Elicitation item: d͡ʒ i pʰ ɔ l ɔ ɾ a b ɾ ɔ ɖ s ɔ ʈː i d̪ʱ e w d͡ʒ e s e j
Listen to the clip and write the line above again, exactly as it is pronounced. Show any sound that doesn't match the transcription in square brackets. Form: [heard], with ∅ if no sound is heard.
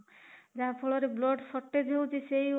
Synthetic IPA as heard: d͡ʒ [a] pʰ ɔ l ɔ ɾ [e] b [l] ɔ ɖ s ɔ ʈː [e] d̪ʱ e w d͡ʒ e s e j